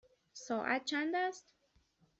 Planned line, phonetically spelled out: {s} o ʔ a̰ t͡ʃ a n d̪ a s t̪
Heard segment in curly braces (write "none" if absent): s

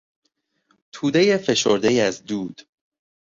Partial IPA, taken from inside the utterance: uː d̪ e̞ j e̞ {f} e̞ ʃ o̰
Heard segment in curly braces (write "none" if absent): f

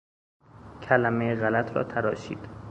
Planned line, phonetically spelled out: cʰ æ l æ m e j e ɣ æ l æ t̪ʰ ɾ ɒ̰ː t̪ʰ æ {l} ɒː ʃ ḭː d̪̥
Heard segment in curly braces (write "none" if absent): ɾ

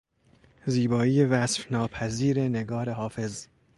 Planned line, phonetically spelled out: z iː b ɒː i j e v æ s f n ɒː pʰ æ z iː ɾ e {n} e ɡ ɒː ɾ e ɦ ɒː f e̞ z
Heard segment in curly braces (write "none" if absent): n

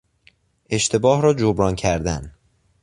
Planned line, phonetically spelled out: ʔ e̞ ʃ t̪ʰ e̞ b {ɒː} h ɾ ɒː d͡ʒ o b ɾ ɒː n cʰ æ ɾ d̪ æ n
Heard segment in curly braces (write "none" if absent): ɒː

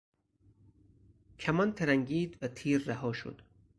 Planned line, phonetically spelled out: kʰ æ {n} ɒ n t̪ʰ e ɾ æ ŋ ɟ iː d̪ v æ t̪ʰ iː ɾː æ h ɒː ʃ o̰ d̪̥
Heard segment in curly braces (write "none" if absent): m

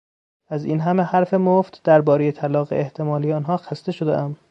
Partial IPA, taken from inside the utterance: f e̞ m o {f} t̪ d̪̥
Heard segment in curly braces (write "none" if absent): f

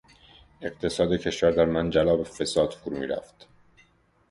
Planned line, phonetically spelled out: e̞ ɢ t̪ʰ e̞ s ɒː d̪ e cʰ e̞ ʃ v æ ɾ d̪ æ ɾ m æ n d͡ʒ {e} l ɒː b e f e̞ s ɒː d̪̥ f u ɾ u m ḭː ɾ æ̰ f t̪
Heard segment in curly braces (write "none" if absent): æ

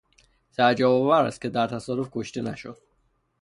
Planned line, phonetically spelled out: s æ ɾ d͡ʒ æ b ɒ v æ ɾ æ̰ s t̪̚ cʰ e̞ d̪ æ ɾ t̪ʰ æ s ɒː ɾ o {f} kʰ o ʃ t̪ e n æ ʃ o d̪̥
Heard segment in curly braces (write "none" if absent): f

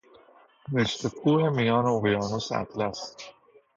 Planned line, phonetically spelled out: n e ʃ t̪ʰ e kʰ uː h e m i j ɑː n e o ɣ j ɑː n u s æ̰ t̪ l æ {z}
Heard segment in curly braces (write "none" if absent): s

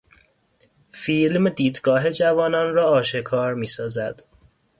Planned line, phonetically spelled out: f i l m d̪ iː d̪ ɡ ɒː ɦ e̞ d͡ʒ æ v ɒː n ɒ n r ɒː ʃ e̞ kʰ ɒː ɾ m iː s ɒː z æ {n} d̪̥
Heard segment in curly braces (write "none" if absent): none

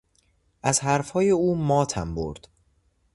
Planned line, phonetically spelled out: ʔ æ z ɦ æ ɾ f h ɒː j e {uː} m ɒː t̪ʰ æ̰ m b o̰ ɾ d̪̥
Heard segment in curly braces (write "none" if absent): uː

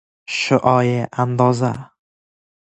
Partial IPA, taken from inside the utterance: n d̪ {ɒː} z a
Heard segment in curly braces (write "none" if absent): ɒ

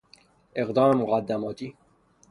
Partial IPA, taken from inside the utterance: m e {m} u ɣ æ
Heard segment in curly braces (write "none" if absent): m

